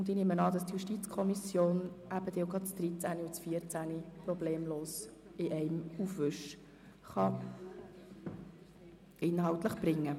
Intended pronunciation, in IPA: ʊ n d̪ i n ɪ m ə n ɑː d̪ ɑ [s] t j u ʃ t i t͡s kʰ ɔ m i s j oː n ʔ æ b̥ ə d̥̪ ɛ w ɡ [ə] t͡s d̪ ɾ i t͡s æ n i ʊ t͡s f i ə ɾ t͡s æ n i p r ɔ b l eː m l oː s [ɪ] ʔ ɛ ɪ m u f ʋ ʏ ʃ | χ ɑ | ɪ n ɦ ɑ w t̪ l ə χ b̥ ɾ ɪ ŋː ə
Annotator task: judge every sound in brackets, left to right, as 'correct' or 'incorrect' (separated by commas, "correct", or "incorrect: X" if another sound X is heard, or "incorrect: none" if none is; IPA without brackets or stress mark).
correct, incorrect: ɑ, correct